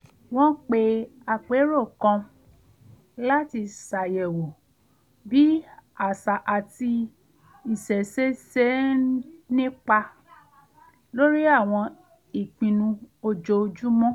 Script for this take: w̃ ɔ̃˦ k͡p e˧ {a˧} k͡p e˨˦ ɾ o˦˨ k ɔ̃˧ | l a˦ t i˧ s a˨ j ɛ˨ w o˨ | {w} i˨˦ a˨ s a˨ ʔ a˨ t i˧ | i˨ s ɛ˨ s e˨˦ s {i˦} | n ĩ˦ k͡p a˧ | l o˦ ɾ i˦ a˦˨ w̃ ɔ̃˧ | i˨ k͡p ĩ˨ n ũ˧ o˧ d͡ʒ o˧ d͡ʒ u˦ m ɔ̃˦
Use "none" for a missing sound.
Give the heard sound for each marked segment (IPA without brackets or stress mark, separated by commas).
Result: a˧, b, e˦